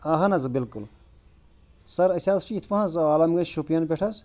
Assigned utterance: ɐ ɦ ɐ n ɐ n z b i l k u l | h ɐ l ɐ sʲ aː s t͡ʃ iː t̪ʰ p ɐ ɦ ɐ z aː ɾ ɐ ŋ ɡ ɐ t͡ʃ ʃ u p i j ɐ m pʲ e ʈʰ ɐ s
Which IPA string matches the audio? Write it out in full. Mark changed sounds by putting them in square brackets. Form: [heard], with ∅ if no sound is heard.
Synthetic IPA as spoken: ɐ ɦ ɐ n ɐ [∅] z b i l k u l | [s] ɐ [ɾ] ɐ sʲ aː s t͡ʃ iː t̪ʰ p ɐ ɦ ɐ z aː [l] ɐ [m] ɡ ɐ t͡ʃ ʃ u p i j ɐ [n] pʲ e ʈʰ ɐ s